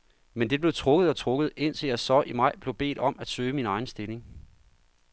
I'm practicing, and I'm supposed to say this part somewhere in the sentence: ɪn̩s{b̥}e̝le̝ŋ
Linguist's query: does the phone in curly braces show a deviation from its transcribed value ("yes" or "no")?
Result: yes